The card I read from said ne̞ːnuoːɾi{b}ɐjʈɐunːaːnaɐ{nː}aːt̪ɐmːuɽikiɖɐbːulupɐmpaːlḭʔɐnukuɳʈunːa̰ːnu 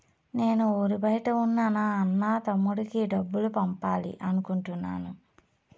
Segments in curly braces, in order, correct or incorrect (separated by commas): correct, correct